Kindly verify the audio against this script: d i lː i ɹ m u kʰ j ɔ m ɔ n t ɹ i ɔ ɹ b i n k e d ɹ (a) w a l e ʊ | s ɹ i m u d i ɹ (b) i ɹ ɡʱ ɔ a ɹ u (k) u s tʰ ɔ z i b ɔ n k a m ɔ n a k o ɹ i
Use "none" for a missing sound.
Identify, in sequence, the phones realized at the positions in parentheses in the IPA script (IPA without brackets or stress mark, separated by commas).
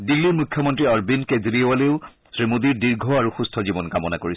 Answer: i, d, x